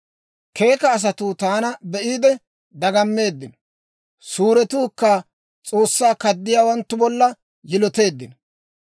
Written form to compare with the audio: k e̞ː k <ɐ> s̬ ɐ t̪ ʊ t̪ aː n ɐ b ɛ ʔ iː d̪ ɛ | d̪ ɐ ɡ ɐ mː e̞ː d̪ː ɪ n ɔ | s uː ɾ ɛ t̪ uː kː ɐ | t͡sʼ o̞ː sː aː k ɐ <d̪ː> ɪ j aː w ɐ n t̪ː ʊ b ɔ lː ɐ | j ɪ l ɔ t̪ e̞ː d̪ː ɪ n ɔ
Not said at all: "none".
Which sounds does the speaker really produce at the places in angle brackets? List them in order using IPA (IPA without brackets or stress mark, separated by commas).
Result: ɐː, d̪ː